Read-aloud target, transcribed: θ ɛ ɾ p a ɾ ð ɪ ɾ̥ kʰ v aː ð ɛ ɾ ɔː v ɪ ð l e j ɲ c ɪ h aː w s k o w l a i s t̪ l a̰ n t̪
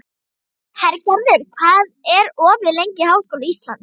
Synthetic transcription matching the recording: h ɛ ɾ c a ɾ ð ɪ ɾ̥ kʰ v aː ð ɛ ɾ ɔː v ɪ ð l e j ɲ c ɪ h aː w s k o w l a i s t̪ l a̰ n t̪